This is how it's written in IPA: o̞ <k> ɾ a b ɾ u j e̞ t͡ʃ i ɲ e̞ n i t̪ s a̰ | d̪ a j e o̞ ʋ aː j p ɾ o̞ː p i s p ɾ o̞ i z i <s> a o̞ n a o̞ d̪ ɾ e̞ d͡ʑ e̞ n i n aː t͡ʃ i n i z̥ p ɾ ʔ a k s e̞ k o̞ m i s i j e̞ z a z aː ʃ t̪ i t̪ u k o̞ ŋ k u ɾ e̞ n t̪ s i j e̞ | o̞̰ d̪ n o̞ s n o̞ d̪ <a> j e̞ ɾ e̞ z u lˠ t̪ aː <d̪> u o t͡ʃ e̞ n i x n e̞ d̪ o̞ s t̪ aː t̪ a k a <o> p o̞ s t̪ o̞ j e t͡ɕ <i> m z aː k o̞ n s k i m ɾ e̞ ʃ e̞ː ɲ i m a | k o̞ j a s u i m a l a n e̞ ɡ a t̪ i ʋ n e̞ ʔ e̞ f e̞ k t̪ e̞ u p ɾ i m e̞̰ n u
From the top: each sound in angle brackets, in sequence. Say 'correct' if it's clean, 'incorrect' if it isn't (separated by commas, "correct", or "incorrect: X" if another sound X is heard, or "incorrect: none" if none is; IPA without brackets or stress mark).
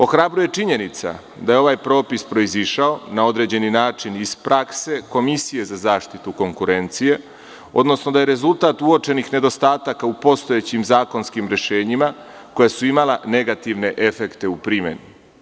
incorrect: x, incorrect: ʃ, correct, incorrect: t̪, incorrect: u, correct